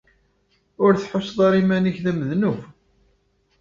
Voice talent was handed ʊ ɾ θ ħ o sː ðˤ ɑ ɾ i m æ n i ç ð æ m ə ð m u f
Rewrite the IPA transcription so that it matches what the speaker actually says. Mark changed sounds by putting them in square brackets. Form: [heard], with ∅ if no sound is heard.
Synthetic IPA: ʊ ɾ θ ħ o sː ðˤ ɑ ɾ i m æ n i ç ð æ m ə ð [n] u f